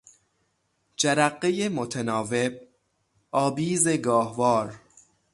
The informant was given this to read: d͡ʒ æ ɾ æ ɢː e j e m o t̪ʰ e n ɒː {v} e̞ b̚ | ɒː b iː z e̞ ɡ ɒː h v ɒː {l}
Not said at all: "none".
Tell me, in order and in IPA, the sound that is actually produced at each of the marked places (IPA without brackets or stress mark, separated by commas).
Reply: v, ɾ